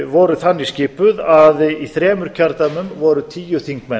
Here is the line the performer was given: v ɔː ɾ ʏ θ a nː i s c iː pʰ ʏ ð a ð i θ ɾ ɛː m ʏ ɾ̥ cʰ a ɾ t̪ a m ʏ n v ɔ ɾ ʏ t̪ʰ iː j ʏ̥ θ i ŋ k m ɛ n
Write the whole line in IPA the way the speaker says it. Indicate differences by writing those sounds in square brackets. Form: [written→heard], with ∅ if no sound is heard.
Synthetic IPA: v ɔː ɾ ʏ θ a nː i s c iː [pʰ→p] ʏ ð a ð i θ ɾ ɛː m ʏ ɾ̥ cʰ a ɾ t̪ a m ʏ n v ɔ ɾ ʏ t̪ʰ iː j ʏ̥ θ i ŋ k m ɛ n